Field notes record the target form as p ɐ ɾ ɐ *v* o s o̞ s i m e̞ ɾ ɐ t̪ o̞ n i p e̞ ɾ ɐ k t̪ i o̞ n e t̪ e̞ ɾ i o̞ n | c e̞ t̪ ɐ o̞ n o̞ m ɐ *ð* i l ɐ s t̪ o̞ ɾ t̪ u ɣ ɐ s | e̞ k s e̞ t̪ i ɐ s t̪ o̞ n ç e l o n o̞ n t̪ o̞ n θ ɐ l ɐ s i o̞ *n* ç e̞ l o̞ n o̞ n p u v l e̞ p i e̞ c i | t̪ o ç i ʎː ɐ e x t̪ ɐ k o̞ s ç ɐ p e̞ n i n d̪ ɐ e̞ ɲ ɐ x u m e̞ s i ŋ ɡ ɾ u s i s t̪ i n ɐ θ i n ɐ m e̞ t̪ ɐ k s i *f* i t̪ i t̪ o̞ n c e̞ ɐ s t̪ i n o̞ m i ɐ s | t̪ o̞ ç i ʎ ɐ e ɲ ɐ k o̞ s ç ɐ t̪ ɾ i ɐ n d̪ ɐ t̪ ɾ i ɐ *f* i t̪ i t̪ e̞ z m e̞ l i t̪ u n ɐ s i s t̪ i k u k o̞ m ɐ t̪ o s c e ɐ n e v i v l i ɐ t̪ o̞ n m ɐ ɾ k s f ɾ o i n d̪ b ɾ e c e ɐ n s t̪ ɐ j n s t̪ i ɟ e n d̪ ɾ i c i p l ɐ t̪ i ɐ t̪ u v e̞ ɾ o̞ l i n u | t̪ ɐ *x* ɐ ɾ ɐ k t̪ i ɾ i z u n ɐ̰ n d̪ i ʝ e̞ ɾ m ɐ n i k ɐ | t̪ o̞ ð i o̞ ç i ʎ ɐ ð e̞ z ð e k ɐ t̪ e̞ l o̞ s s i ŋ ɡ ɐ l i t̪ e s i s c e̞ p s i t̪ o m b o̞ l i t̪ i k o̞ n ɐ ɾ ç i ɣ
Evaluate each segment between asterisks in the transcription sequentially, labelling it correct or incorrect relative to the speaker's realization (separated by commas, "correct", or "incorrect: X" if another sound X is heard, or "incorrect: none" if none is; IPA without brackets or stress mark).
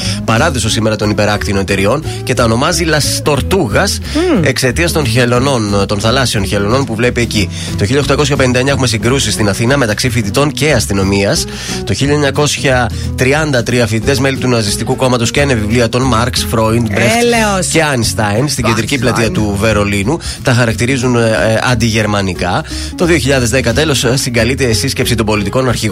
incorrect: ð, incorrect: z, correct, correct, correct, correct